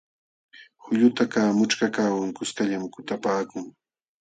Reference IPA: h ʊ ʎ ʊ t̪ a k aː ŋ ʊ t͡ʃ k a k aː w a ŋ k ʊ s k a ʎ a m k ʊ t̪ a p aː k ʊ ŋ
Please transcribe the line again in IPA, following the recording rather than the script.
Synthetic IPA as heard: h ʊ ʎ ʊ t̪ a k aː m ʊ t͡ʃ k a k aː w a ŋ k ʊ s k a ʎ a m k ʊ t̪ a p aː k ʊ ŋ